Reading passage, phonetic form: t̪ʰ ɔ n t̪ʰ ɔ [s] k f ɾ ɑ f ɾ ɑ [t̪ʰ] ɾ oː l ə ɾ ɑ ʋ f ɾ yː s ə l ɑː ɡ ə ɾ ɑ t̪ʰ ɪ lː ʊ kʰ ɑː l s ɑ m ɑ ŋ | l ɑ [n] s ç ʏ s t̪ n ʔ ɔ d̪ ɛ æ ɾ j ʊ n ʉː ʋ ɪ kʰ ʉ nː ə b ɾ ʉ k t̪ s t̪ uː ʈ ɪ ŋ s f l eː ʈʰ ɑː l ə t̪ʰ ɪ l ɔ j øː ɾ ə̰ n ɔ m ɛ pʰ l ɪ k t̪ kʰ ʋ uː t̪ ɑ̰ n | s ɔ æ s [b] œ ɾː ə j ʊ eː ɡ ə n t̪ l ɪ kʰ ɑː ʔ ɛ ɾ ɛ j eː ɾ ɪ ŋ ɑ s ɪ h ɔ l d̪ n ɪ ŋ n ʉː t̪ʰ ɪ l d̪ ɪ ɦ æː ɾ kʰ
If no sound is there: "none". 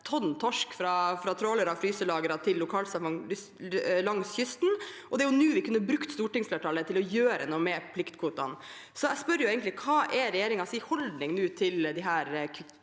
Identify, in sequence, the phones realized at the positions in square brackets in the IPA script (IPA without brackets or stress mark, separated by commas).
ʂ, t̪ʰ, ŋ, p